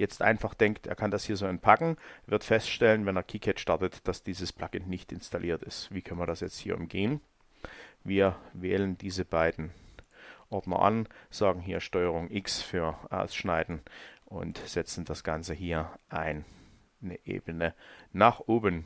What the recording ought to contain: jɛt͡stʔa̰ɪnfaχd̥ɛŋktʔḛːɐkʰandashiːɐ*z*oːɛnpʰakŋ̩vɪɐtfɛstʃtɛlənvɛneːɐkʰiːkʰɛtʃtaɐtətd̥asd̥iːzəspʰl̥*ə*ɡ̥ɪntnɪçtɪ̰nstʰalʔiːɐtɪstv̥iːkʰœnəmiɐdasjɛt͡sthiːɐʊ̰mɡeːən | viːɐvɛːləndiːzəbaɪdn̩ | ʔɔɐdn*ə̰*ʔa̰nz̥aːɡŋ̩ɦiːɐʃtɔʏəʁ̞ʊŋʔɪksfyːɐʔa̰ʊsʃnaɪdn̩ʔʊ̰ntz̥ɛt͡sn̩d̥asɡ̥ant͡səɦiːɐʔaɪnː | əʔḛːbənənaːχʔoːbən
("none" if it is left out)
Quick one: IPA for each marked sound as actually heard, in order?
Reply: z, a, ɐ̰

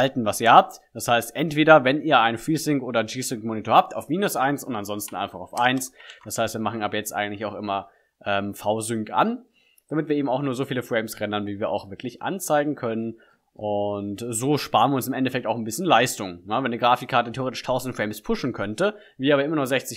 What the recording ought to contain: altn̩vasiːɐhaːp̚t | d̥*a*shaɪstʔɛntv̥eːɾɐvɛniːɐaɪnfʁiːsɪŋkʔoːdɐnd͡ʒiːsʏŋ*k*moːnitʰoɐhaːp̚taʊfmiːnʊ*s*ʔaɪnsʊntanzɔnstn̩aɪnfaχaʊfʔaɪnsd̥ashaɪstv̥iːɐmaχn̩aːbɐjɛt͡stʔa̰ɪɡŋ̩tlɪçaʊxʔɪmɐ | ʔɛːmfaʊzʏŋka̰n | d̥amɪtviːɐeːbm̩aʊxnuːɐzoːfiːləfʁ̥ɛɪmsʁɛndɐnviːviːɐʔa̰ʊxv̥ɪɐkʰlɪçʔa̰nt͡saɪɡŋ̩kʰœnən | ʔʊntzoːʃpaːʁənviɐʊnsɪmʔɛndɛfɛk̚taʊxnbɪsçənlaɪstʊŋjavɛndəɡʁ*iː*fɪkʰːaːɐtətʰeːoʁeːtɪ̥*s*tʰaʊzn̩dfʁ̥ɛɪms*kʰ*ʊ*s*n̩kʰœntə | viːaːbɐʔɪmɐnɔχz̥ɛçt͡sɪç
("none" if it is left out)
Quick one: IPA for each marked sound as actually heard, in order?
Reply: a, k, s, aː, ʃ, pʰ, ʃ

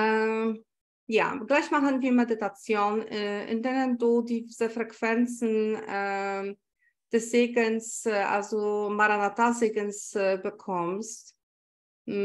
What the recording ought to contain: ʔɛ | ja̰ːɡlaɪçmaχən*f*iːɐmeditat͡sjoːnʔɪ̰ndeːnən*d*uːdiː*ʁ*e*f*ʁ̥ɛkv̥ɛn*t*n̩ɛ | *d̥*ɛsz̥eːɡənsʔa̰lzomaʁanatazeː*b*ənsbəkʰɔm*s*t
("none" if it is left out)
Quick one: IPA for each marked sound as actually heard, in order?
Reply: v, d, z, f, t͡s, d̥, ɡ, s

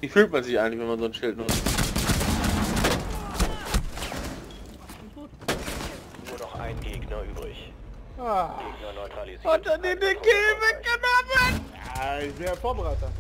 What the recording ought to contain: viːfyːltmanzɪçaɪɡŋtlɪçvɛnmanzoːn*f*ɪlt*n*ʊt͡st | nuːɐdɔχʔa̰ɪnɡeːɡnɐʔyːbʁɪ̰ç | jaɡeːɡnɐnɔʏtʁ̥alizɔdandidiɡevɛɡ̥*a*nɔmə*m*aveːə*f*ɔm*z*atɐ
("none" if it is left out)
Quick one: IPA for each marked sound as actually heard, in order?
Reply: ʃ, n, ə, n, f, ʁ

